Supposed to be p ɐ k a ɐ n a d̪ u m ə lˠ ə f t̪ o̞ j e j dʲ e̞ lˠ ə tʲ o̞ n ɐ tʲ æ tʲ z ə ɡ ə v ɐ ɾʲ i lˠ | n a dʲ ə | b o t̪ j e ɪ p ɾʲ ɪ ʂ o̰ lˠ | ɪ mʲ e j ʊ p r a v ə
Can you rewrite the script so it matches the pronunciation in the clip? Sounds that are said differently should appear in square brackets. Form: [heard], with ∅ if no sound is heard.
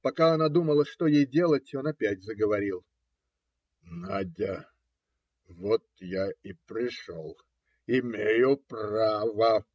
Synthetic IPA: p ɐ k a ɐ n a d̪ u m ə lˠ ə [ʂ] t̪ o̞ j e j dʲ e̞ lˠ ə tʲ o̞ n ɐ [pʲ] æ tʲ z ə ɡ ə v ɐ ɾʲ i lˠ | n a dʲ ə | [v] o t̪ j [a] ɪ p ɾʲ ɪ ʂ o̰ lˠ | ɪ mʲ e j ʊ p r a v ə